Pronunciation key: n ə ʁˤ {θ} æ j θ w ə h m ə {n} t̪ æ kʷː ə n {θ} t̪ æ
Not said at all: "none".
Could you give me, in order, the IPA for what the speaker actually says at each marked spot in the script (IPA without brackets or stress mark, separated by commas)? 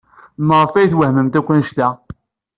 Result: f, m, ʃ